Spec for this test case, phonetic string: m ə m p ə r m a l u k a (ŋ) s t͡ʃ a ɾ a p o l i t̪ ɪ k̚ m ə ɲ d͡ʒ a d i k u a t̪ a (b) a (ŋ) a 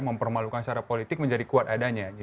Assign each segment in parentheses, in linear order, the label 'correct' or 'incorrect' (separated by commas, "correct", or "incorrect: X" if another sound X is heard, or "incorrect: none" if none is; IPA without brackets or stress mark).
incorrect: n, incorrect: d, incorrect: ɲ